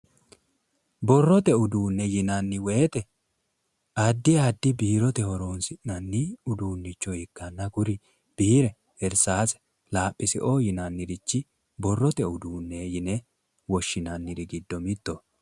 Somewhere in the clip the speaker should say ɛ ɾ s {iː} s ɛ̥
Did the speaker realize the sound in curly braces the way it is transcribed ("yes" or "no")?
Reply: no